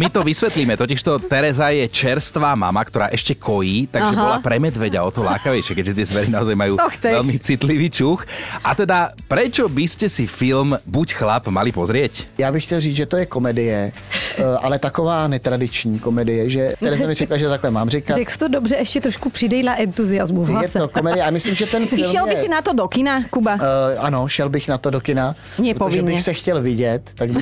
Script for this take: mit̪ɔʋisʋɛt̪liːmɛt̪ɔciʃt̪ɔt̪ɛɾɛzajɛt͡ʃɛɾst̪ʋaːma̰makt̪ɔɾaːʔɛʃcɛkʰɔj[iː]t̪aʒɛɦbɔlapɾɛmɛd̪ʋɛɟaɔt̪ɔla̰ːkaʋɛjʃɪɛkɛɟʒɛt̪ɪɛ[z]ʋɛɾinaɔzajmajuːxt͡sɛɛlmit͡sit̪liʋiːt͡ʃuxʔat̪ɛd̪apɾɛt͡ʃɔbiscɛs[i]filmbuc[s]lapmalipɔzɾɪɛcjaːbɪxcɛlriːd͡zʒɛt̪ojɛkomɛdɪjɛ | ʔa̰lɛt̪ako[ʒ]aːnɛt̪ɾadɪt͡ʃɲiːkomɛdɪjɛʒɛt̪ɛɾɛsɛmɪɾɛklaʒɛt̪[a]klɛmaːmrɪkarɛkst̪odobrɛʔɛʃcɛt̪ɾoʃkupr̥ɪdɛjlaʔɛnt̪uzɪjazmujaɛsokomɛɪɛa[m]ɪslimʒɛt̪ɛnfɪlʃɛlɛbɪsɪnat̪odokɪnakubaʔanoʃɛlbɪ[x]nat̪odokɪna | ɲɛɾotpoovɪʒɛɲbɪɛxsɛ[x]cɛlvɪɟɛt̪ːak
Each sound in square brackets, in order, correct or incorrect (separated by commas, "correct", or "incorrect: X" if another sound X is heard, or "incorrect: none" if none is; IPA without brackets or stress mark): correct, correct, correct, incorrect: x, incorrect: v, correct, correct, correct, correct